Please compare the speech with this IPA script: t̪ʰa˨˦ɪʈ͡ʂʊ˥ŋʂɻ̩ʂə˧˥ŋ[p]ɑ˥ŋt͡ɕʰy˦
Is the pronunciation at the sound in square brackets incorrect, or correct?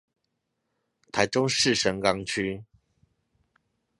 incorrect